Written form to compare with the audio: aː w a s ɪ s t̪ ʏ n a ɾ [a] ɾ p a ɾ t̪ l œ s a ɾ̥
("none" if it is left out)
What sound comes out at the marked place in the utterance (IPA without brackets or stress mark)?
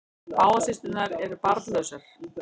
ɛ